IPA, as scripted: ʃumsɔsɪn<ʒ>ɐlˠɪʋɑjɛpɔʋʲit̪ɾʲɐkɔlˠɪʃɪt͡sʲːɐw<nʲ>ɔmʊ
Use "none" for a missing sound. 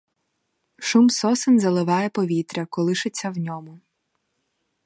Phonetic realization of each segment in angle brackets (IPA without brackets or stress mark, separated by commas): z, nʲ